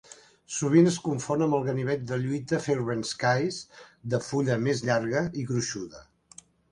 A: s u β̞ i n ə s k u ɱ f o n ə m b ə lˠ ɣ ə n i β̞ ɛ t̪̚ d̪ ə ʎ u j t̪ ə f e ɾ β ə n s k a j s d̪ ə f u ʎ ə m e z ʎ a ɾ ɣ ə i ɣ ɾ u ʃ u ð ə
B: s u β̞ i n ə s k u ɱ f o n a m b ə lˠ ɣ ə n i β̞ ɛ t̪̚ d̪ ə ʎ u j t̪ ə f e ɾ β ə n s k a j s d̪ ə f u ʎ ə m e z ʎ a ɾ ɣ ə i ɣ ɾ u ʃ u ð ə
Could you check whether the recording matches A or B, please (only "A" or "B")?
A